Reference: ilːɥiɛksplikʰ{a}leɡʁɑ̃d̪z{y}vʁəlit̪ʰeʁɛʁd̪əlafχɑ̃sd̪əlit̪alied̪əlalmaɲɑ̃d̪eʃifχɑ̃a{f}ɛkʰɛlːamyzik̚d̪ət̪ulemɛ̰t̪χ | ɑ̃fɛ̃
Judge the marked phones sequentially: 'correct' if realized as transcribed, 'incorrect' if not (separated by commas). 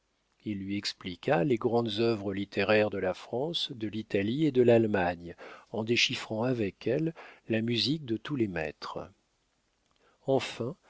correct, incorrect, incorrect